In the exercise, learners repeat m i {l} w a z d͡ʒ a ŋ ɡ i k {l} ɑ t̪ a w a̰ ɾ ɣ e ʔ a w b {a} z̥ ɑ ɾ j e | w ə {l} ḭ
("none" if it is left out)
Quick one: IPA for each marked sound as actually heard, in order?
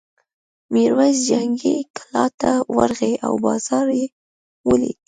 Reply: ɾ, l, ɑ, l

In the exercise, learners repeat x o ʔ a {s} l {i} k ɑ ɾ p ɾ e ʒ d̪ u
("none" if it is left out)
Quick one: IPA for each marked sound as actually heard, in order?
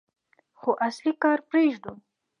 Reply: s, i

